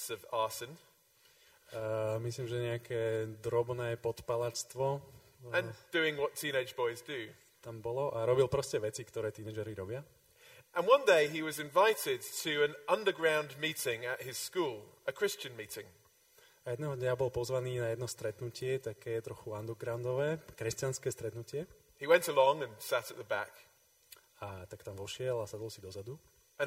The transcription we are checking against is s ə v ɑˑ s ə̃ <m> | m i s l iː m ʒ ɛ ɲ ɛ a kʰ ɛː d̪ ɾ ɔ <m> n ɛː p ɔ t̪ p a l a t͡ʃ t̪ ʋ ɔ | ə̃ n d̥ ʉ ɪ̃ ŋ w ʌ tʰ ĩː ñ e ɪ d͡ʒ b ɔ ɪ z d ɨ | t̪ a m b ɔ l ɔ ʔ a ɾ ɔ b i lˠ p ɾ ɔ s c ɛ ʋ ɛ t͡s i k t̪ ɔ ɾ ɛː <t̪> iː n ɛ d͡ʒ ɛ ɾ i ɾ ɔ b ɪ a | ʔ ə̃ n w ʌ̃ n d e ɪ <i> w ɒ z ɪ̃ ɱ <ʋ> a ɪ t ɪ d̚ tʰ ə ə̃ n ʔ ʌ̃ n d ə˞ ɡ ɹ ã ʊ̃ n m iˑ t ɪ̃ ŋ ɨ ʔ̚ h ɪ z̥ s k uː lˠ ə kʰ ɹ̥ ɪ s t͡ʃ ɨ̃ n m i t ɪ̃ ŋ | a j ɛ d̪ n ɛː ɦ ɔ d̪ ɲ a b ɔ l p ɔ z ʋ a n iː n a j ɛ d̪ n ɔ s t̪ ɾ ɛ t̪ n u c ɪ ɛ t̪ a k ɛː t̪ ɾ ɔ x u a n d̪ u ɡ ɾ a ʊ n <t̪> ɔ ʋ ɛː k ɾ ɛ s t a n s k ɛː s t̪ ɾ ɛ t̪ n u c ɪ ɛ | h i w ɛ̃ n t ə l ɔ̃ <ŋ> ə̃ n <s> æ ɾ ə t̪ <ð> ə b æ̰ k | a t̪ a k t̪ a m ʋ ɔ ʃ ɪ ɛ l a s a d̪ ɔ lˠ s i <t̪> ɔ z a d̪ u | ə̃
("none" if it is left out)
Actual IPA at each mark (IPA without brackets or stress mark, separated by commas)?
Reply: n, b, t̪, i, v, d̪, ŋ, s, ð, d̪